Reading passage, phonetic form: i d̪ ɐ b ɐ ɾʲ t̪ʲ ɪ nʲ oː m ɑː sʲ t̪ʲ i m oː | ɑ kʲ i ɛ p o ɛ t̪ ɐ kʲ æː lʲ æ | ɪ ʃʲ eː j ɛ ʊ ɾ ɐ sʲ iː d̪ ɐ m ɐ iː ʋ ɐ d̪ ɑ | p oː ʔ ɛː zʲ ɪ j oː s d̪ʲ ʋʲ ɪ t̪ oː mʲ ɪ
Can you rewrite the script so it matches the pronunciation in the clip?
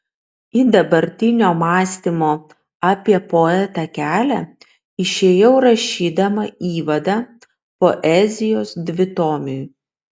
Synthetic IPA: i d̪ ɐ b ɐ ɾʲ t̪ʲ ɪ nʲ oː m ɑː sʲ t̪ʲ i m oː | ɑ pʲ i ɛ p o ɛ t̪ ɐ kʲ æː lʲ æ | ɪ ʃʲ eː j ɛ ʊ ɾ ɐ ʃʲ iː d̪ ɐ m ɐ iː ʋ ɐ d̪ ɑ | p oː ʔ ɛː zʲ ɪ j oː s d̪ʲ ʋʲ ɪ t̪ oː mʲ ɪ